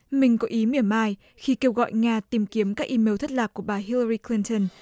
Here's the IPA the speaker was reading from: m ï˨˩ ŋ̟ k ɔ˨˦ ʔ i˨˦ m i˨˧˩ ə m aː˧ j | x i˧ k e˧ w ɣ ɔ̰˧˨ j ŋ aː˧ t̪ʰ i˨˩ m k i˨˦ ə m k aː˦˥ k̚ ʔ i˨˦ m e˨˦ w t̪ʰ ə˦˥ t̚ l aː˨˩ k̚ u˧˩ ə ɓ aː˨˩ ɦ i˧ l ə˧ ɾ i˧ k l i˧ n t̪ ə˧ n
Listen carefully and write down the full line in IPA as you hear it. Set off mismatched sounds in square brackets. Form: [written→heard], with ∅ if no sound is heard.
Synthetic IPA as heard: m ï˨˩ ŋ̟ k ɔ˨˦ ʔ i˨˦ m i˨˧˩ ə m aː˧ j | x i˧ k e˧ w ɣ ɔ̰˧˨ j ŋ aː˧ [t̪ʰ→t̪] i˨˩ m k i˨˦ ə m k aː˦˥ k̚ ʔ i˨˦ m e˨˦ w t̪ʰ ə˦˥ t̚ l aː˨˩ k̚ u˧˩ ə ɓ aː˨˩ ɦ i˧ l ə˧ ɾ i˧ k l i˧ n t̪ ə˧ n